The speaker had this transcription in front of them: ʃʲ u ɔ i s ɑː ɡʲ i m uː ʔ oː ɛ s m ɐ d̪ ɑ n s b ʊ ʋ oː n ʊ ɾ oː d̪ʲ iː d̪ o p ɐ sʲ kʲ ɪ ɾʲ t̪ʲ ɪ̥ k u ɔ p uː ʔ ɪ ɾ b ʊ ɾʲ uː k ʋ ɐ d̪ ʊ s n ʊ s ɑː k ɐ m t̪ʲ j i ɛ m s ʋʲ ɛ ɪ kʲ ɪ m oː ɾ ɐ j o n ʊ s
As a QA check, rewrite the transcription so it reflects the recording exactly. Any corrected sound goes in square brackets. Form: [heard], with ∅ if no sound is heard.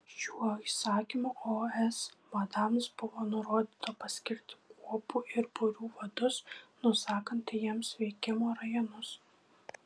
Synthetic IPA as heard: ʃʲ u ɔ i s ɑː [kʲ] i m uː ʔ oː ɛ s m ɐ d̪ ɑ [m] s b ʊ ʋ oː n ʊ ɾ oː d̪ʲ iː [t̪] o p ɐ sʲ kʲ ɪ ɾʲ t̪ʲ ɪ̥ k u ɔ p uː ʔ ɪ ɾ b ʊ ɾʲ uː [∅] ʋ ɐ d̪ ʊ s n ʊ s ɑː k ɐ [n] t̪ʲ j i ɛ m s ʋʲ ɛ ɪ kʲ ɪ m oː ɾ ɐ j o n ʊ s